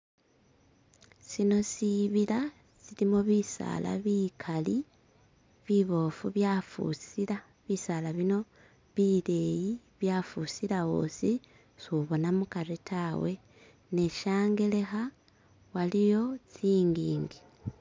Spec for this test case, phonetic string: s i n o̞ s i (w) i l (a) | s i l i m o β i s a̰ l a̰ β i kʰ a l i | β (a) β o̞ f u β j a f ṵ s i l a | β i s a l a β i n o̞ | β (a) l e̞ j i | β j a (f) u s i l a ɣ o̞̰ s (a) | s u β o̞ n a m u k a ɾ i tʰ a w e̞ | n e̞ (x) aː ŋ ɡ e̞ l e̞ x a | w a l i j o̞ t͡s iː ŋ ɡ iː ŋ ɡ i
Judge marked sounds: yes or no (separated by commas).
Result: no, yes, no, no, yes, no, no